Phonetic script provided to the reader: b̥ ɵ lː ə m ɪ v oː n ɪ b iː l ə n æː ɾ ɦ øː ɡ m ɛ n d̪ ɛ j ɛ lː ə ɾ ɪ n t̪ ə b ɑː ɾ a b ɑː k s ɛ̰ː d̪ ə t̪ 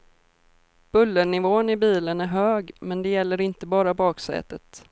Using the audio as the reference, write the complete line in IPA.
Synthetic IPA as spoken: b̥ ɵ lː ə ɳ ɪ v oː n ɪ b iː l ə n æ ɾ ɦ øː ɡ m ɛ n d̪ ɛ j ɛ lː ə ɾ ɪ n t̪ ə b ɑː ɾ a b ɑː k s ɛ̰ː t̪ ə t̪